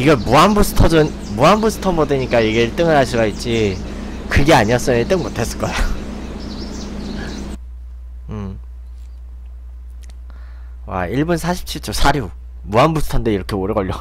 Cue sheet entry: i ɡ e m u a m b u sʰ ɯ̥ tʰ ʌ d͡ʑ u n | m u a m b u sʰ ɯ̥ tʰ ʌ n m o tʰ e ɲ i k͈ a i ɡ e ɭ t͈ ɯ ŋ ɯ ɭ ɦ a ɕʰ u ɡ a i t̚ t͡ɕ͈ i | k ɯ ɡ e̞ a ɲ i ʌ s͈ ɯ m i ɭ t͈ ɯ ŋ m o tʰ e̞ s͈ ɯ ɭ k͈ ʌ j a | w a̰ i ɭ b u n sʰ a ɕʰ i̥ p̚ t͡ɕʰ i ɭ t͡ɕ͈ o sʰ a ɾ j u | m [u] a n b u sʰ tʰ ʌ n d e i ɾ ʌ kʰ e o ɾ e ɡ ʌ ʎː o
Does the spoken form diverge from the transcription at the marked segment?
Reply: no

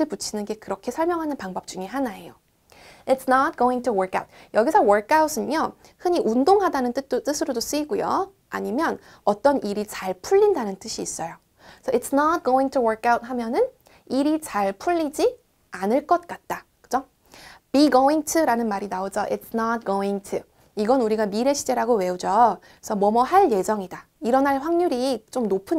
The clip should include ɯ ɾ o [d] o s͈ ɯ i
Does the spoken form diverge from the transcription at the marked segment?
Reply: no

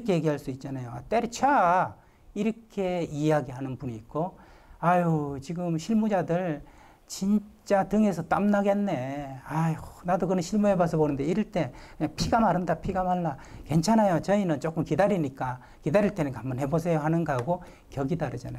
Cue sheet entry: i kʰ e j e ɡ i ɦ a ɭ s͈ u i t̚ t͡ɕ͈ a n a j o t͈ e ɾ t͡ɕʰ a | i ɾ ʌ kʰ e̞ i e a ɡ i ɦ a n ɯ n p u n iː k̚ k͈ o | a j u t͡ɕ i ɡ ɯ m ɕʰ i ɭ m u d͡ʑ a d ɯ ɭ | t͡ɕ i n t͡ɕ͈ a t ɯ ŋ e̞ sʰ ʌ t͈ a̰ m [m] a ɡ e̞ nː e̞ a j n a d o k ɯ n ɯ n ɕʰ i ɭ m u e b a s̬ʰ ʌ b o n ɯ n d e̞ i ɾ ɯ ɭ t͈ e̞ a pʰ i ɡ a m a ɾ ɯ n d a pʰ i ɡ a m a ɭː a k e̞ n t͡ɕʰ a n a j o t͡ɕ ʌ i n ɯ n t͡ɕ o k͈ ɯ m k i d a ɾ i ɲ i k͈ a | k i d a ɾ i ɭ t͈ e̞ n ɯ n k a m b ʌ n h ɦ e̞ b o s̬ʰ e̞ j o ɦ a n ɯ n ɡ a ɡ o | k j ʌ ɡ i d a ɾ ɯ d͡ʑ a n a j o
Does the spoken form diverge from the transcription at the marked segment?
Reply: yes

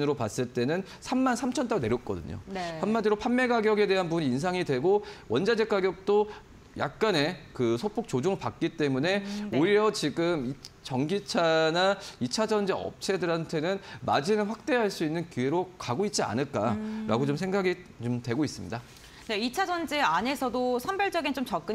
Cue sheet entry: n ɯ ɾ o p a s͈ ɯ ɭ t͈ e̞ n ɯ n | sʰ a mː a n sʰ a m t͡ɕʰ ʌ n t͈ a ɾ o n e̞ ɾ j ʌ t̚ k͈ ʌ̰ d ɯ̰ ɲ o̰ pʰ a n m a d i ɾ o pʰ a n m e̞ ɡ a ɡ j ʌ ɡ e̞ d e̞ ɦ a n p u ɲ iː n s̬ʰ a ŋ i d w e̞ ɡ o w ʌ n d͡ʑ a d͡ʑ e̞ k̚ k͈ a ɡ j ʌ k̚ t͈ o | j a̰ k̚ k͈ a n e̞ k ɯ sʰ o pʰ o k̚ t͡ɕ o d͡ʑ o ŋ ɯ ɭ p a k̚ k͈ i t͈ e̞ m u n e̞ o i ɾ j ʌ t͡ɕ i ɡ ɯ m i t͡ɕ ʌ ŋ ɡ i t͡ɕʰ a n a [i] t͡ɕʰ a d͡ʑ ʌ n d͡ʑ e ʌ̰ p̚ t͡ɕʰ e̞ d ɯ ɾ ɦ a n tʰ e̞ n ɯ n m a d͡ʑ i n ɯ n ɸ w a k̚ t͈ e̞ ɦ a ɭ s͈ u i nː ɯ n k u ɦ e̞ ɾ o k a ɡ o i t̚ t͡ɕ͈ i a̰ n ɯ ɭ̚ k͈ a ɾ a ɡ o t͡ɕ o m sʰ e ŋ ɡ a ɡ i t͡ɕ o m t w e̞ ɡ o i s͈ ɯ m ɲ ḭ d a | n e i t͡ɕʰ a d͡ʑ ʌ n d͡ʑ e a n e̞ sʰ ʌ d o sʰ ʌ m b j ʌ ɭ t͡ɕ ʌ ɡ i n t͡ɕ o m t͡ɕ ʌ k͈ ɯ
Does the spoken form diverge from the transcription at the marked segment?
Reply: no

